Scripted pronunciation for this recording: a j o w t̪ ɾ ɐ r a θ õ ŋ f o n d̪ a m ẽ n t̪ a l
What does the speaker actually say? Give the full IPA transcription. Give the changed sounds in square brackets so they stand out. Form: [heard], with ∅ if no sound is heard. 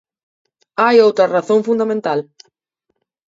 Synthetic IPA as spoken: a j o w t̪ ɾ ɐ r a θ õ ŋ f [u] n d̪ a m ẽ n t̪ a l